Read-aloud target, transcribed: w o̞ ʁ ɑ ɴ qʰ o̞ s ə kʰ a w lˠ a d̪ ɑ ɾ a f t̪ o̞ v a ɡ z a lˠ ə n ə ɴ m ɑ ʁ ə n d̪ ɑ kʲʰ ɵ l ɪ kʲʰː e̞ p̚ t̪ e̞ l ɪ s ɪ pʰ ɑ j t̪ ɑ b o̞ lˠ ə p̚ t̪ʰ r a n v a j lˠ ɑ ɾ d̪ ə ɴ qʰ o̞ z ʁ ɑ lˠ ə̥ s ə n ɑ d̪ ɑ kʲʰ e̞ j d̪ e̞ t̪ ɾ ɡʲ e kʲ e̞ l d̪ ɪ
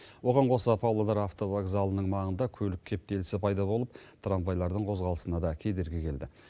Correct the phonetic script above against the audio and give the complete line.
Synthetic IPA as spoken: w o̞ ʁ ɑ ɴ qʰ o̞ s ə pʰ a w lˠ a d̪ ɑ ɾ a f t̪ o̞ v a ɡ z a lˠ ə n ə ɴ m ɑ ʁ ə n d̪ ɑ kʲʰ ɵ l ɪ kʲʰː e̞ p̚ t̪ e̞ l ɪ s ɪ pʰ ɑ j d̪ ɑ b o̞ lˠ ə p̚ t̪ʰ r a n v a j lˠ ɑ ɾ d̪ ə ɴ qʰ o̞ z ʁ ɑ lˠ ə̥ s ə n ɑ d̪ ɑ kʲʰ e̞ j d̪ e̞ ɾ ɡʲ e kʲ e̞ l d̪ ɪ